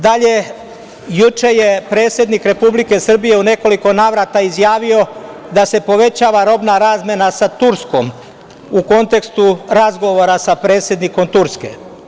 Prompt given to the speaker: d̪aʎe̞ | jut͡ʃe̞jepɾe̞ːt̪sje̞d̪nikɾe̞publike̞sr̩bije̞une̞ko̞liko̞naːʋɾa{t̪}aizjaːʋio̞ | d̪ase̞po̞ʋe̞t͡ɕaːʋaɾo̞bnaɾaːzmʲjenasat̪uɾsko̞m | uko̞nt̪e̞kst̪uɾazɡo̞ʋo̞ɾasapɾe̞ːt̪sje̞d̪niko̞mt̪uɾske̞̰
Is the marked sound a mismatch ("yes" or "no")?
no